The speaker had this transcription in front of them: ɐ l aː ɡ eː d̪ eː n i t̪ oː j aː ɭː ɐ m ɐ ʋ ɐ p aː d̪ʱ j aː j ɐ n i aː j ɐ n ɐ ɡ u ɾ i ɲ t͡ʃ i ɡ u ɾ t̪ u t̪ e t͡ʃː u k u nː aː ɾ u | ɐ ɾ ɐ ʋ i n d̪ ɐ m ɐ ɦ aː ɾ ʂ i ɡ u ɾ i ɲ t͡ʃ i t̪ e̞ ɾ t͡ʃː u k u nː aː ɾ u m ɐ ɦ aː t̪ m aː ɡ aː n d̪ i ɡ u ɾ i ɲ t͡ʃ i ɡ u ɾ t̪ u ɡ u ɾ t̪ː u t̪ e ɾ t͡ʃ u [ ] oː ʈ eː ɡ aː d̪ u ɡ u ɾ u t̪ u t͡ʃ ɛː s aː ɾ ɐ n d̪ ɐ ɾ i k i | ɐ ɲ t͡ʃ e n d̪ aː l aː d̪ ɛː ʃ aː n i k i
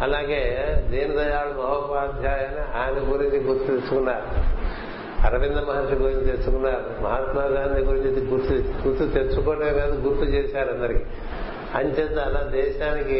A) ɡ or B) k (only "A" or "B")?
B